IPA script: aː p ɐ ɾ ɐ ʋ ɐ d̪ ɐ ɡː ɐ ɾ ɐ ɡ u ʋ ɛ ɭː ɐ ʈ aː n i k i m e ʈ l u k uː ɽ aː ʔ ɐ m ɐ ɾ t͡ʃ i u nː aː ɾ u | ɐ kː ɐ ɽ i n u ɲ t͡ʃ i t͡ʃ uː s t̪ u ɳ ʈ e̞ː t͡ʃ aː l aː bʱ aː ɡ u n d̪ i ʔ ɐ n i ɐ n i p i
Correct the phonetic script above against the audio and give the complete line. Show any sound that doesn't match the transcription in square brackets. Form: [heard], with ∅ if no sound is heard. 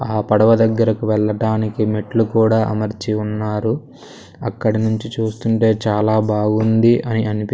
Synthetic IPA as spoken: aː p ɐ [ɽ] ɐ ʋ ɐ d̪ ɐ ɡː ɐ ɾ ɐ [k] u ʋ ɛ ɭː ɐ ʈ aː n i k i m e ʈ l u k uː ɽ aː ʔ ɐ m ɐ ɾ t͡ʃ i u nː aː ɾ u | ɐ kː ɐ ɽ i n u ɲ t͡ʃ i t͡ʃ uː s t̪ u ɳ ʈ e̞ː t͡ʃ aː l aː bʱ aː ɡ u n d̪ i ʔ ɐ n i ɐ n i p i